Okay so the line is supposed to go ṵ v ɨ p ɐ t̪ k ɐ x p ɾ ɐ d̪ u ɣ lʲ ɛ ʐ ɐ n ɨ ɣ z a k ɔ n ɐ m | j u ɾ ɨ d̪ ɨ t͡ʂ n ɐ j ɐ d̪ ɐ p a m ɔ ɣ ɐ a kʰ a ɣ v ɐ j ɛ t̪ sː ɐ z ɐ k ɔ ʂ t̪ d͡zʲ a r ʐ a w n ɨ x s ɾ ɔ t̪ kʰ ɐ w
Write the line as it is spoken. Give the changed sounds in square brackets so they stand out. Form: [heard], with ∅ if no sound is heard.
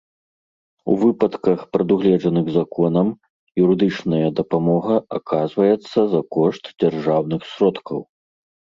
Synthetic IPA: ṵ v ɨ p ɐ t̪ k ɐ x p ɾ ɐ d̪ u ɣ lʲ ɛ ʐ ɐ n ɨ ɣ z a k ɔ n ɐ m | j u ɾ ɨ d̪ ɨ t͡ʂ n ɐ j ɐ d̪ ɐ p a m ɔ ɣ ɐ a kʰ a [z] v ɐ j ɛ t̪ sː ɐ z ɐ k ɔ ʂ t̪ d͡zʲ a r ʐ a w n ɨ x s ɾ ɔ t̪ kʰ ɐ w